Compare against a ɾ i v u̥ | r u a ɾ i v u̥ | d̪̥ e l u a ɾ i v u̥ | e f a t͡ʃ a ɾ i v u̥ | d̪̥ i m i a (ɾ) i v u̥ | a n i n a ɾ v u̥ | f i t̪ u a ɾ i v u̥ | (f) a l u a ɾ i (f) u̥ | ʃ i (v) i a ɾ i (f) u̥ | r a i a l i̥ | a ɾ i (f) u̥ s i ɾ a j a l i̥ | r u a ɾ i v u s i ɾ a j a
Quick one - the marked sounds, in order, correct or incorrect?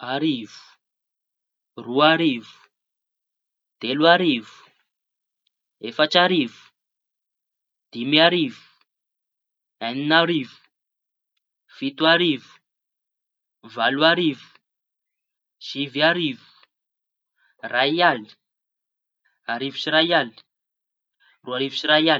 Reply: correct, incorrect: v, incorrect: v, correct, incorrect: v, incorrect: v

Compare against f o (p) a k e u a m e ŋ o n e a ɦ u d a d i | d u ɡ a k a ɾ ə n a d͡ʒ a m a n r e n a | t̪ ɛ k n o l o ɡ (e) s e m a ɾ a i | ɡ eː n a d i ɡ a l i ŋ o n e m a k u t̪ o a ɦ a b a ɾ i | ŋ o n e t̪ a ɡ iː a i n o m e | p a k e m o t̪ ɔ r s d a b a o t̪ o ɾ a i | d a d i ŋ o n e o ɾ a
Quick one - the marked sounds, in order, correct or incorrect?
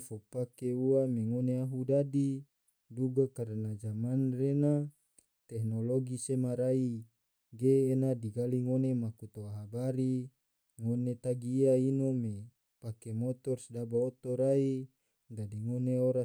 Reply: correct, incorrect: i

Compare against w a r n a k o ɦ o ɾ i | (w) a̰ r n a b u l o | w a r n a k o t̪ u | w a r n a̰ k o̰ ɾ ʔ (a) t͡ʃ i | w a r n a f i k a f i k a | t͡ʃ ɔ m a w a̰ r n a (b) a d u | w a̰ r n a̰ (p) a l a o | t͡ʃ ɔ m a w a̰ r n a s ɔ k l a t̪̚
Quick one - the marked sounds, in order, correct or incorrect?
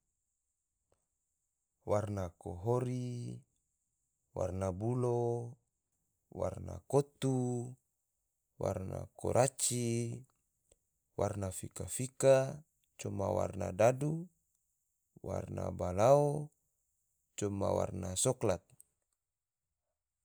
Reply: correct, correct, incorrect: d, incorrect: b

